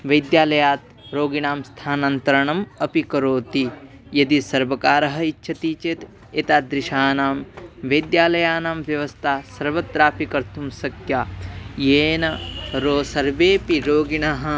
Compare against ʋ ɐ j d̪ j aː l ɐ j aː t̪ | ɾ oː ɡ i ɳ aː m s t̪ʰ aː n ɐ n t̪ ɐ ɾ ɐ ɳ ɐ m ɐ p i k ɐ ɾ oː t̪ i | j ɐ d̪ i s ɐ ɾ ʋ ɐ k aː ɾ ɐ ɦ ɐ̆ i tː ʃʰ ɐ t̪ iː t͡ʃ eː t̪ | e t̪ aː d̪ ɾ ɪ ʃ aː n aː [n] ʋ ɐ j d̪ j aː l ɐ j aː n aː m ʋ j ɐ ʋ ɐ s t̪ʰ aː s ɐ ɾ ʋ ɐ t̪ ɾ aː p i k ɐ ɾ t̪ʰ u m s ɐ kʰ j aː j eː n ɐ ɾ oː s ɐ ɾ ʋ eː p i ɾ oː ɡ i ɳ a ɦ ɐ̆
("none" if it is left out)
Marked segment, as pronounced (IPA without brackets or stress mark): m